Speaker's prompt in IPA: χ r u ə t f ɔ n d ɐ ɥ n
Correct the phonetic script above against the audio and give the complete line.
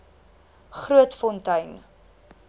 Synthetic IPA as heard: χ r u ə t f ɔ n t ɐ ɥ n